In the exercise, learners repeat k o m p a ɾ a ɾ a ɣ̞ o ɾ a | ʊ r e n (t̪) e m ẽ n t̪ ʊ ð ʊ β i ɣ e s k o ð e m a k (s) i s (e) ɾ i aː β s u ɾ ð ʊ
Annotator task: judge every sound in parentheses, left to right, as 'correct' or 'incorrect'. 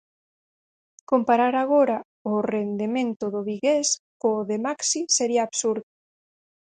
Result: incorrect, correct, correct

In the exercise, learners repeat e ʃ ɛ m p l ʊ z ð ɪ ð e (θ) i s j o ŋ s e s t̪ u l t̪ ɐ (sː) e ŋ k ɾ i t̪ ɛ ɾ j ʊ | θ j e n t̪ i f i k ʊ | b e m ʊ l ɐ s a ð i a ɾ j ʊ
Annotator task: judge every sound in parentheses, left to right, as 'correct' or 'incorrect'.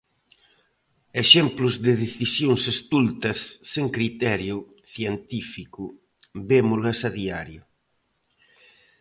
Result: correct, correct

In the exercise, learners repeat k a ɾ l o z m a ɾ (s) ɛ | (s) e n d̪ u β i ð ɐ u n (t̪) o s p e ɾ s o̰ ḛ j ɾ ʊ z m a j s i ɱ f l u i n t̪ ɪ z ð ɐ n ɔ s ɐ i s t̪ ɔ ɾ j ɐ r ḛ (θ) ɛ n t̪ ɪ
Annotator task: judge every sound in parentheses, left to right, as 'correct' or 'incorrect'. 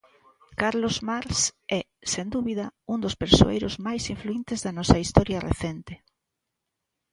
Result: correct, correct, incorrect, correct

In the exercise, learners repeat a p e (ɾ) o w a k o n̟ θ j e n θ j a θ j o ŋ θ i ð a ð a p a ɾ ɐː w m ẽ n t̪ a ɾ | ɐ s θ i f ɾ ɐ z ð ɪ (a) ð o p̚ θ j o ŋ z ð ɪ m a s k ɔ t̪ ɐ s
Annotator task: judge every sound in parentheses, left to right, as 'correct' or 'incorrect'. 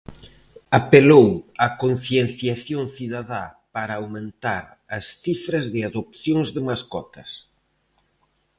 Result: incorrect, correct

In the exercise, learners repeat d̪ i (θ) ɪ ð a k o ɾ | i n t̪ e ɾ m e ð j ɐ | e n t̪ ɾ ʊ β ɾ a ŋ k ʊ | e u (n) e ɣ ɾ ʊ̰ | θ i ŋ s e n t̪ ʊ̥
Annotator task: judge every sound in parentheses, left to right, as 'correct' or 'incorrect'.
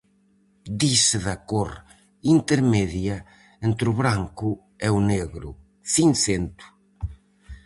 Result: incorrect, correct

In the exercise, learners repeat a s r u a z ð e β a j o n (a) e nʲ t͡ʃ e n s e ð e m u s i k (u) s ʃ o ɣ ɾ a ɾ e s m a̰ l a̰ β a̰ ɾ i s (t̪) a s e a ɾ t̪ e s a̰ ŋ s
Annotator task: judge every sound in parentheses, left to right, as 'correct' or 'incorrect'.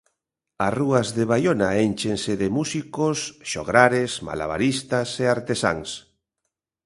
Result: correct, incorrect, correct

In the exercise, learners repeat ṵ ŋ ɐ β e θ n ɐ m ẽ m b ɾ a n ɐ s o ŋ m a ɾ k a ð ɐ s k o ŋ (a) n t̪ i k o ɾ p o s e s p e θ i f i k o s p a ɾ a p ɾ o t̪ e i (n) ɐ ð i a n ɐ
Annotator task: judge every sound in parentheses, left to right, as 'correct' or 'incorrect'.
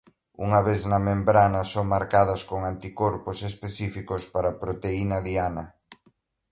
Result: correct, correct

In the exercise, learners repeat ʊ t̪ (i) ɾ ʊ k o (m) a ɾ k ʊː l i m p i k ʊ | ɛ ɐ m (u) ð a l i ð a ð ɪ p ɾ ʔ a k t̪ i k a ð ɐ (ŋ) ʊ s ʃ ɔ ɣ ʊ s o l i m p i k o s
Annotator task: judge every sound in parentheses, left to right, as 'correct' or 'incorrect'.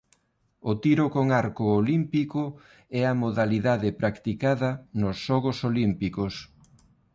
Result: correct, incorrect, incorrect, incorrect

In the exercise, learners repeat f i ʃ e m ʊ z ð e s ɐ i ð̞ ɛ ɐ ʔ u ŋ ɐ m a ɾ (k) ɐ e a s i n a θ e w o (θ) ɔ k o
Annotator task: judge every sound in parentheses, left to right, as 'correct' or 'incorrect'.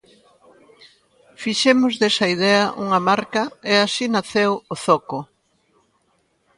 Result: correct, correct

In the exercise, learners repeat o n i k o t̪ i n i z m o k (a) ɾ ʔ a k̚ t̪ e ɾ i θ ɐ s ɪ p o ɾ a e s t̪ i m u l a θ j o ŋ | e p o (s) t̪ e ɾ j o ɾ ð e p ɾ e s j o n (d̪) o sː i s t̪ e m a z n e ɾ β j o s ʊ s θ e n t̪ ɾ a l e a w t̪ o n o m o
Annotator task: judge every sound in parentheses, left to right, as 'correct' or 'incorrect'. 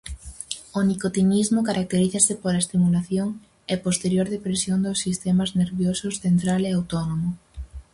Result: correct, correct, correct

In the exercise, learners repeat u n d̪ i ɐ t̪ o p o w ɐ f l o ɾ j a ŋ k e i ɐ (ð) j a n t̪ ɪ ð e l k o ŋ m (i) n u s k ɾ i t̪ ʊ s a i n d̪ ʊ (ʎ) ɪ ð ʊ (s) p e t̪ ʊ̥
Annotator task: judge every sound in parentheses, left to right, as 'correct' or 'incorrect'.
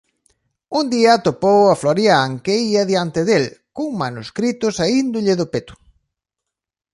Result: correct, incorrect, correct, incorrect

